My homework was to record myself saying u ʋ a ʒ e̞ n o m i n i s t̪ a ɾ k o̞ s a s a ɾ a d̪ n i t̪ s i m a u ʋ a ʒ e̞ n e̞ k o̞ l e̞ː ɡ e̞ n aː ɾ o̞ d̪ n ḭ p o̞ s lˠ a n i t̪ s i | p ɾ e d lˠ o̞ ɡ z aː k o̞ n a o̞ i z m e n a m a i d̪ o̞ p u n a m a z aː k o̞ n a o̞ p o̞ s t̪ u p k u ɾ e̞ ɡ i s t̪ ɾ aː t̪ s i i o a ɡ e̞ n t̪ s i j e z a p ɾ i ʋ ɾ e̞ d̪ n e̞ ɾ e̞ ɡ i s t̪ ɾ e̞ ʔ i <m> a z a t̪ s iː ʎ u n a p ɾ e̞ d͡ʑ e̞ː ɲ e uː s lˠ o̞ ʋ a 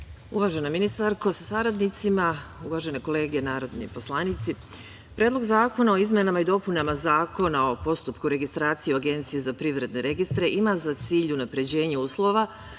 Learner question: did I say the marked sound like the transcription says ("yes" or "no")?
yes